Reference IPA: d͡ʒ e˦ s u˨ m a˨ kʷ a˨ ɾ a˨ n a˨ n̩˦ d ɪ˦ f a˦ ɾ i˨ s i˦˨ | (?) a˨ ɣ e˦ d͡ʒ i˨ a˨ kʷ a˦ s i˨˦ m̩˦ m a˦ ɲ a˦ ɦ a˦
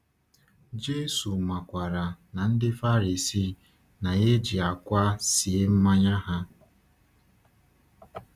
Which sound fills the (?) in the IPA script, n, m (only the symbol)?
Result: n